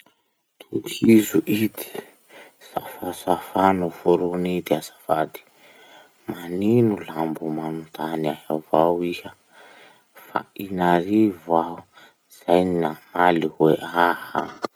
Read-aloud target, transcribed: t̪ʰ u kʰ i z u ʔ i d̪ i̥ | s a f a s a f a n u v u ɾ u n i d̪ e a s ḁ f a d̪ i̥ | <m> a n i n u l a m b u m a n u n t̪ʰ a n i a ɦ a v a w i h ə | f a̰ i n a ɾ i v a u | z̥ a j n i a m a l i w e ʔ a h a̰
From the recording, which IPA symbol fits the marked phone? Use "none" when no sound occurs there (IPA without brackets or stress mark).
m